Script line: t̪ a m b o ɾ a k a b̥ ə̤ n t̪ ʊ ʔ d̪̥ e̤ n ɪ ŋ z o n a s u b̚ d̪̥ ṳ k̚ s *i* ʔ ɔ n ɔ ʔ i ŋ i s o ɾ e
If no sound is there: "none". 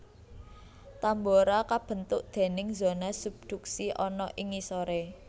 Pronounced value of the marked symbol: i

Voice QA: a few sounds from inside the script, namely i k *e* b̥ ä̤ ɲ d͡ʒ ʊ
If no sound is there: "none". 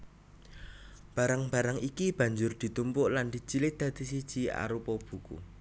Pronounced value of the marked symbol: i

